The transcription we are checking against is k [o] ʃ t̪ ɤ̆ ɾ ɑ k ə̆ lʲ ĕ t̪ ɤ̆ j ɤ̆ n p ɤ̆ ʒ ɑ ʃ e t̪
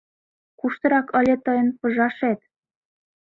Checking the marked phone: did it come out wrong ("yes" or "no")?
yes